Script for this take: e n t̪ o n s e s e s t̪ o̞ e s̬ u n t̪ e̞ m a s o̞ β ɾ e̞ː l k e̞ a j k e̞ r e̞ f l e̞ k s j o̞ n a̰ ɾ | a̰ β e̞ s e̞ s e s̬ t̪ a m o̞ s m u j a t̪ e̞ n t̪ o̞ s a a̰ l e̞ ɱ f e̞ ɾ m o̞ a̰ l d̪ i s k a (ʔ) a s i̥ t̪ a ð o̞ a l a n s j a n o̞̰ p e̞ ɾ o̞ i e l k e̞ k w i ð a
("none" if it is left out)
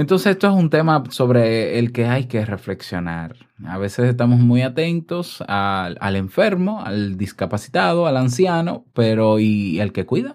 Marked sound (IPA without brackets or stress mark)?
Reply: p